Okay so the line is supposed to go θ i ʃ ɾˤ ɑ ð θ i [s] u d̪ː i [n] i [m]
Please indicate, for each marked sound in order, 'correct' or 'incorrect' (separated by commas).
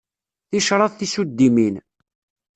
correct, incorrect, incorrect